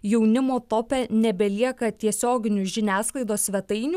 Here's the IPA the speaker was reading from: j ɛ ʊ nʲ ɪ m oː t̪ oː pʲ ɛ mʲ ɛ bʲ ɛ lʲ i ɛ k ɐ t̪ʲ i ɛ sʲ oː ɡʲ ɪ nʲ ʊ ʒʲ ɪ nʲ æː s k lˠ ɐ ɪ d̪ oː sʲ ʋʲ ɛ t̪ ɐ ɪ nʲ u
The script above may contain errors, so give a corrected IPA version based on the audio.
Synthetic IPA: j ɛ ʊ nʲ ɪ m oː t̪ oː pʲ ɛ nʲ ɛ bʲ ɛ lʲ i ɛ k ɐ t̪ʲ i ɛ sʲ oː ɡʲ ɪ nʲ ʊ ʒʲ ɪ nʲ æː s k lˠ ɐ ɪ d̪ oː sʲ ʋʲ ɛ t̪ ɐ ɪ nʲ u

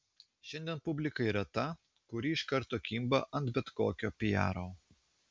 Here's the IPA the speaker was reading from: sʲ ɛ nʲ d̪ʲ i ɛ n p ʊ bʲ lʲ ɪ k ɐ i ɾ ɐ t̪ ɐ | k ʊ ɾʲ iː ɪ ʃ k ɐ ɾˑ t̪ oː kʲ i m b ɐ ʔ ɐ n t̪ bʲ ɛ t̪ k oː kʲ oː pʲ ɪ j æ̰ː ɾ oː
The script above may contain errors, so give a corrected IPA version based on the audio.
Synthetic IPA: ʃʲ ɛ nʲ d̪ʲ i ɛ n p ʊ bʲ lʲ ɪ k ɐ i ɾ ɐ t̪ ɐ | k ʊ ɾʲ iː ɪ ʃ k ɐ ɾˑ t̪ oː kʲ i m b ɐ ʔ ɐ n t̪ bʲ ɛ t̪ k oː kʲ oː pʲ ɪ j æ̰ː ɾ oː

